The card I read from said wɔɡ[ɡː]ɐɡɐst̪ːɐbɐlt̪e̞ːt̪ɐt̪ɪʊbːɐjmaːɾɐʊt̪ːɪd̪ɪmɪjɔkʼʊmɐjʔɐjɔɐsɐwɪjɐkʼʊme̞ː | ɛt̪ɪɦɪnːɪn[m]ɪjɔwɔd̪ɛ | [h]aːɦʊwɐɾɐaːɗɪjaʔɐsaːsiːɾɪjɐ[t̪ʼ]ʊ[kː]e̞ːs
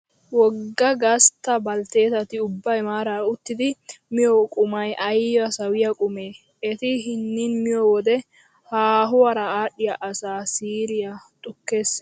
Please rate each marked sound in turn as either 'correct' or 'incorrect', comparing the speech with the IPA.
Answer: correct, correct, correct, correct, correct

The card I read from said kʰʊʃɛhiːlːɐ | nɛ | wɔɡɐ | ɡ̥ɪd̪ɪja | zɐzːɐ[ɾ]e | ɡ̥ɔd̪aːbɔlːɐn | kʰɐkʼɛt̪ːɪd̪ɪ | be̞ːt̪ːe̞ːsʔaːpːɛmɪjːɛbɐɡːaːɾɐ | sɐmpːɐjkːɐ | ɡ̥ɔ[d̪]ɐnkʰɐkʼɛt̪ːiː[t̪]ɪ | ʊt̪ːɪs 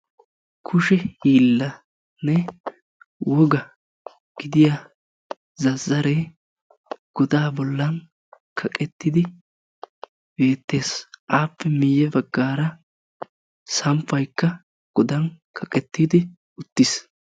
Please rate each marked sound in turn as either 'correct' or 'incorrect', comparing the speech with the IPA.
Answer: correct, correct, incorrect: d̪

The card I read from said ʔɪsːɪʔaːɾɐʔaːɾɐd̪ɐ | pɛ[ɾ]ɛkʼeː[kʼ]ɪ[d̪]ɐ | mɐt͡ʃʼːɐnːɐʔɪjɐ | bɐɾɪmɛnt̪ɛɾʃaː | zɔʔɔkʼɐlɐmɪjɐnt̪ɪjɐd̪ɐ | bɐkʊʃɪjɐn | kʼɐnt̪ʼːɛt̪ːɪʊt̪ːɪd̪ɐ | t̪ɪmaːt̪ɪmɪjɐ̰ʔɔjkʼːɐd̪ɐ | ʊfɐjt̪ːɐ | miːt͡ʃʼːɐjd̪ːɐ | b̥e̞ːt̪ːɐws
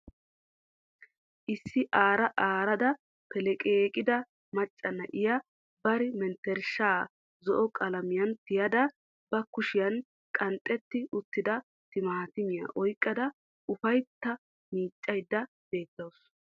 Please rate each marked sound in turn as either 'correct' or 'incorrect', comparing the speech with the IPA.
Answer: incorrect: l, correct, correct

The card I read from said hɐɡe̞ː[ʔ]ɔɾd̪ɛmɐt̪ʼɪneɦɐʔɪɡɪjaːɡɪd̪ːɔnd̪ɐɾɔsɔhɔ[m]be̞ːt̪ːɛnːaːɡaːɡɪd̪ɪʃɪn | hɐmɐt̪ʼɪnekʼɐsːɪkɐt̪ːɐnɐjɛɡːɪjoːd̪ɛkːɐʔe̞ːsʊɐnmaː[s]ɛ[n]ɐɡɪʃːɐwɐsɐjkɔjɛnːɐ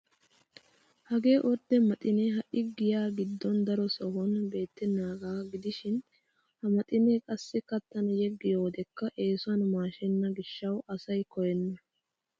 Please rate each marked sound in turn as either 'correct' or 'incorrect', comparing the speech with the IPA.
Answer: correct, incorrect: n, incorrect: ʃ, incorrect: nː

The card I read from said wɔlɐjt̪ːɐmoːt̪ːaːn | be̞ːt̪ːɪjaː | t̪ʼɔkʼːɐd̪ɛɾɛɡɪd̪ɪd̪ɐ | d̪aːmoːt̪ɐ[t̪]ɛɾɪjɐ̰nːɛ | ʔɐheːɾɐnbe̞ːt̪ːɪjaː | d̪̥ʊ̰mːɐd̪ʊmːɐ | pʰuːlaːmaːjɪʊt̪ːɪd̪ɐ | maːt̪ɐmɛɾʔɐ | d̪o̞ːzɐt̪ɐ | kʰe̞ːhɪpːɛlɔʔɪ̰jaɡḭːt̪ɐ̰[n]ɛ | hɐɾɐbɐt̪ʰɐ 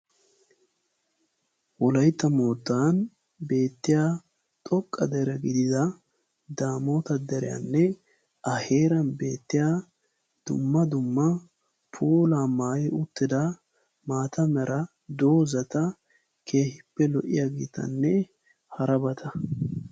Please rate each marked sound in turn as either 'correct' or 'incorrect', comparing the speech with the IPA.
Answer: incorrect: d̪, incorrect: nː

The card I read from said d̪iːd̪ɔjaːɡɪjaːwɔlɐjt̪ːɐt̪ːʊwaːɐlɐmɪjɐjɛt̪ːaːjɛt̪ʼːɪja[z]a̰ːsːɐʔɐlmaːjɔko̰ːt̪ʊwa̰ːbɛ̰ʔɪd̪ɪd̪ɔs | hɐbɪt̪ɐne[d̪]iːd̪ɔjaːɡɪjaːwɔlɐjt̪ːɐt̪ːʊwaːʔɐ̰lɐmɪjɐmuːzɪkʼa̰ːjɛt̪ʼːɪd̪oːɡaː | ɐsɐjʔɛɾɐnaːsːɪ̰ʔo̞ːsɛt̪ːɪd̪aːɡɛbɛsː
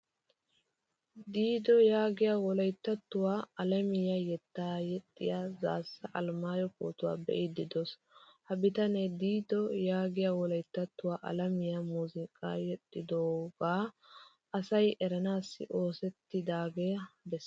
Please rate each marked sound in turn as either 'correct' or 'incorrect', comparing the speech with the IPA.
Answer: correct, correct

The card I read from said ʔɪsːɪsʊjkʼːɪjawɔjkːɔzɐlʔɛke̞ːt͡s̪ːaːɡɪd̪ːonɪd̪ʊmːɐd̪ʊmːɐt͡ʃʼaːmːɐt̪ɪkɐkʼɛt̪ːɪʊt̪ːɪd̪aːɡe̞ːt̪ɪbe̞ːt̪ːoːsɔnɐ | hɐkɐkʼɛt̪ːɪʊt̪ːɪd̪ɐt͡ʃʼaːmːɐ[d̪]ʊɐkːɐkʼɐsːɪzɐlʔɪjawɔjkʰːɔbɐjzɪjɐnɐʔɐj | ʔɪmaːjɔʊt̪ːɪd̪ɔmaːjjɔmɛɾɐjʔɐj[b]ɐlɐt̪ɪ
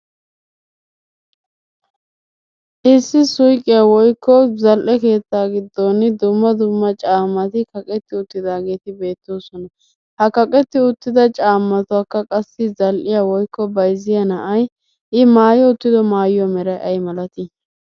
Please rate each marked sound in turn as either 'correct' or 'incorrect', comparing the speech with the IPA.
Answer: incorrect: t̪, incorrect: m

